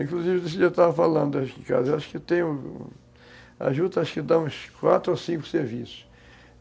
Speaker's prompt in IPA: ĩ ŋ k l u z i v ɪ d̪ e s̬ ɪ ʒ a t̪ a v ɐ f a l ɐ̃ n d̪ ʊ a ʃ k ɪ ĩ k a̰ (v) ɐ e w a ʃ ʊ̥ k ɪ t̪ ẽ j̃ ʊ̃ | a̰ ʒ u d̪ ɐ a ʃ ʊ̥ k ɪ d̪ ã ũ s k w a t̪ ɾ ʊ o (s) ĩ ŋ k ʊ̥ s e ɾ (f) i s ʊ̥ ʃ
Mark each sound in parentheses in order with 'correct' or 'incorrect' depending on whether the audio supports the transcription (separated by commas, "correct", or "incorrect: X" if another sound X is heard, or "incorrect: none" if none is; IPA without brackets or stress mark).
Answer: incorrect: z, correct, incorrect: v